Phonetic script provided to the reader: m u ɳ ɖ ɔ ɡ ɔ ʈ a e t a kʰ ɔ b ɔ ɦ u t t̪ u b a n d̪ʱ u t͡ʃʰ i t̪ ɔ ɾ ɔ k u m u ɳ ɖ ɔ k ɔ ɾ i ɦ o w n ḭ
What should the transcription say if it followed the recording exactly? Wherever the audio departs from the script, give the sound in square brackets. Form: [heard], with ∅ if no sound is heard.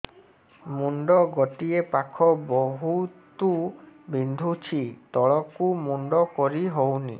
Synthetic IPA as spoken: m u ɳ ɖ ɔ ɡ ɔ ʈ [i] e [p] a kʰ ɔ b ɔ ɦ u t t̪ u b [i] n d̪ʱ u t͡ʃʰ i t̪ ɔ [ɭ] ɔ k u m u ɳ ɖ ɔ k ɔ ɾ i ɦ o w n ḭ